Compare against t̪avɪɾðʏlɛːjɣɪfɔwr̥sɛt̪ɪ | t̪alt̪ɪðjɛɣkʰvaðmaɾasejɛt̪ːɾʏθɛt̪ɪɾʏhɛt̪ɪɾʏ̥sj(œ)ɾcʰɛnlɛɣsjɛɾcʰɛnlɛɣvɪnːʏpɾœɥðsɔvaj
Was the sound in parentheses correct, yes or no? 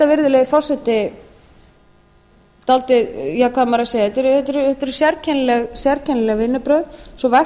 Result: no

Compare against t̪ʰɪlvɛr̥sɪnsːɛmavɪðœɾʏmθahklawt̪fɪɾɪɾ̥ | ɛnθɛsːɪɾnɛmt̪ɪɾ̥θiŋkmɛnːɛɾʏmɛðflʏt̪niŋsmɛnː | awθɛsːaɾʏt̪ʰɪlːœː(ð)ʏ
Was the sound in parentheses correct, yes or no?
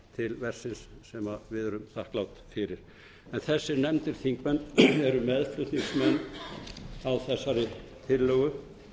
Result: no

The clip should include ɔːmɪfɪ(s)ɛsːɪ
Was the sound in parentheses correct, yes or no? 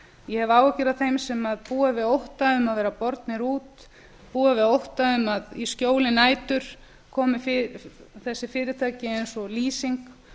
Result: no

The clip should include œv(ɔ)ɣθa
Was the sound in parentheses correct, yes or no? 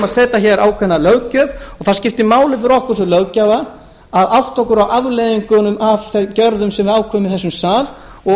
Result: yes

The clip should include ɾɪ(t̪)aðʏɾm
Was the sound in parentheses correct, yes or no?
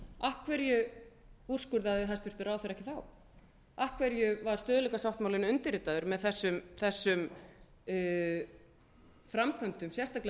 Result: yes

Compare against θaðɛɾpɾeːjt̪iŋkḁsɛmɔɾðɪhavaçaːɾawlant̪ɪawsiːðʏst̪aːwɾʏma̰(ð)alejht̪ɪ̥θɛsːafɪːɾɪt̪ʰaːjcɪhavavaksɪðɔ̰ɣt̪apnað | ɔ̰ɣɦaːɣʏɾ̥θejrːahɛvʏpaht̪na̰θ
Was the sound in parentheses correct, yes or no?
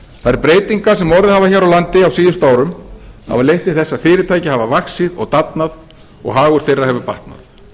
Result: no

